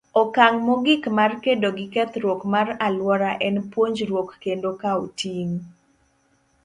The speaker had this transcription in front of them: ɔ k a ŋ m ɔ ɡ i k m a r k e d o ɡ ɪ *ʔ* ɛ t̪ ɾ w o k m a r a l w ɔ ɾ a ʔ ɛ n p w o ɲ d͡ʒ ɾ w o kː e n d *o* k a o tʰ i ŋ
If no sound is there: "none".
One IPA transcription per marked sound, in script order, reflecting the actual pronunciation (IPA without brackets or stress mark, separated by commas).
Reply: k, o